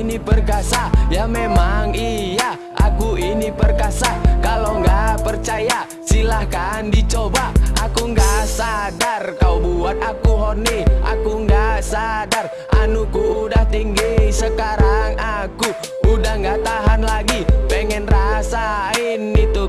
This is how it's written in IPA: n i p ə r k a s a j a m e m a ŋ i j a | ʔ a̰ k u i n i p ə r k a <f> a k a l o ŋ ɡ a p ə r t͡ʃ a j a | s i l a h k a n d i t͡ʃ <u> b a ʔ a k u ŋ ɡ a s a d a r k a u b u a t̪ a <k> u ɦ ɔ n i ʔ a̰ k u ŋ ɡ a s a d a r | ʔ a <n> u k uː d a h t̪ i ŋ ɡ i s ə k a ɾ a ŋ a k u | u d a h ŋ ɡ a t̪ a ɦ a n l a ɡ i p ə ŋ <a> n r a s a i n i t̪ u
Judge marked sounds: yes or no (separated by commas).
no, no, yes, yes, no